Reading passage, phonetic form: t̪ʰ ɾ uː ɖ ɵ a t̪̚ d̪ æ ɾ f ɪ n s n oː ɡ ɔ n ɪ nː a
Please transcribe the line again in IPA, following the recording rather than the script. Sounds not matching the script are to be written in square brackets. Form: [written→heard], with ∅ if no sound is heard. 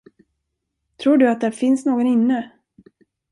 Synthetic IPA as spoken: t̪ʰ ɾ uː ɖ ɵ a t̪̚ d̪ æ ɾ f ɪ n s n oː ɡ ɔ n ɪ nː [a→ə]